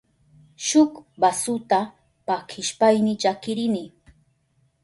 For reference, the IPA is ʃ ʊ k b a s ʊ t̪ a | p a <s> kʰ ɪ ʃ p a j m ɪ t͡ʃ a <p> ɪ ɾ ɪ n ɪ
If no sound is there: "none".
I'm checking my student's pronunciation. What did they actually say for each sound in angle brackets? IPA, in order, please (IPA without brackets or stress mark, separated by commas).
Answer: none, k